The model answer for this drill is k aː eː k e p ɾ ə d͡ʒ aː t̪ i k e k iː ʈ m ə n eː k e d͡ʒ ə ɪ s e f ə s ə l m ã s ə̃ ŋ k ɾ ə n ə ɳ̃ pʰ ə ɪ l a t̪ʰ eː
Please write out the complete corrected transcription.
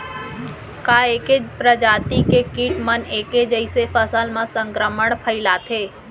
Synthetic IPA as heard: k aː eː k e p ɾ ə d͡ʒ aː t̪ i k e k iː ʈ m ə n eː k e d͡ʒ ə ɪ s e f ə s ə l m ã s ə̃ ŋ k ɾ ə m ə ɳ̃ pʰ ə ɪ l a t̪ʰ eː